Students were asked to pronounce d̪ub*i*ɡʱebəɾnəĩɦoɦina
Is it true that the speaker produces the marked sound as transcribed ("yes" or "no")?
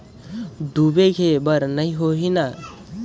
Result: no